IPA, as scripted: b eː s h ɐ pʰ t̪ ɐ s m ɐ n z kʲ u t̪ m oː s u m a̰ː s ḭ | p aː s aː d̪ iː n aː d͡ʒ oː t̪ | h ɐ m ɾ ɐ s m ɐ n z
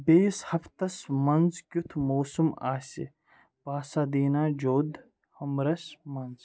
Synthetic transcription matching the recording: b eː s h ɐ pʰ t̪ ɐ s m ɐ n z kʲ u t̪ʰ m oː s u m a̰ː s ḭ | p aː s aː d̪ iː n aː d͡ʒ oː d̪ | h ɐ m ɾ ɐ s m ɐ n z